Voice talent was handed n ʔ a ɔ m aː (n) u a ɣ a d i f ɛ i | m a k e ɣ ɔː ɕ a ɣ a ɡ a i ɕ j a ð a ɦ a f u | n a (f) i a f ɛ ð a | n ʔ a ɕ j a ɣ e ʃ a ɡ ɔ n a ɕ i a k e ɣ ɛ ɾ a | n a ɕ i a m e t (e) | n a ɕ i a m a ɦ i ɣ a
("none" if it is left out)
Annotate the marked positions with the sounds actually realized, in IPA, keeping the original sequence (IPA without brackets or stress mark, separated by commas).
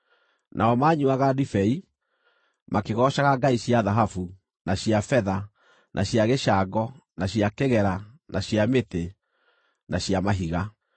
ɲ, ɕ, e